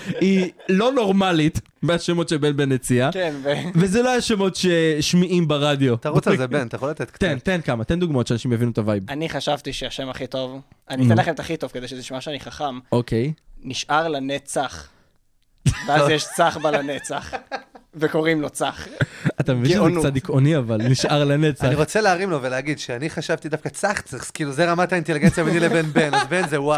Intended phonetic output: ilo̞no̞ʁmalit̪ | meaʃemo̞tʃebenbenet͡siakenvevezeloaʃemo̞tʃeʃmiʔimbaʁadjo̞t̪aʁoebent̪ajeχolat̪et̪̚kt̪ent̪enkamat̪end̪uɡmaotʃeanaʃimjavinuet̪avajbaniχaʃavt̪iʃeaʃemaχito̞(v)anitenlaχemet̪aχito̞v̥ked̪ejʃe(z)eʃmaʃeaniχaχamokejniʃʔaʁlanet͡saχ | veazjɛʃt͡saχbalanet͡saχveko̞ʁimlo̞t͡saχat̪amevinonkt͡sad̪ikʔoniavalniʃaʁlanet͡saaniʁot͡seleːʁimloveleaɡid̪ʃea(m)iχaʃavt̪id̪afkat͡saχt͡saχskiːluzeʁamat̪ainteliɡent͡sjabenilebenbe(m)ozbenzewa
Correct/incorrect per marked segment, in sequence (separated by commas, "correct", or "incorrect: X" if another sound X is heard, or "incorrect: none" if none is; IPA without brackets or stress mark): correct, correct, incorrect: n, incorrect: n